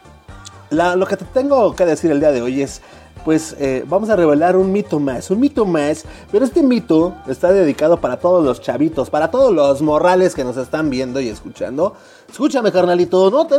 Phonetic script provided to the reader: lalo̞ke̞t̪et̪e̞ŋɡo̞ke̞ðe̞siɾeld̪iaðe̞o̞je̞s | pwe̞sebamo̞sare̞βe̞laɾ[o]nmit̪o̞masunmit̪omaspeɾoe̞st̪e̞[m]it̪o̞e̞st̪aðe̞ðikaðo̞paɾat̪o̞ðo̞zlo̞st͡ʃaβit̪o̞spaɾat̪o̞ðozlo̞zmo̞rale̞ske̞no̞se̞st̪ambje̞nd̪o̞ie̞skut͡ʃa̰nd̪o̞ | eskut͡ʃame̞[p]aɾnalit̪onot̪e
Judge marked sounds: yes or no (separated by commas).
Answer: no, yes, no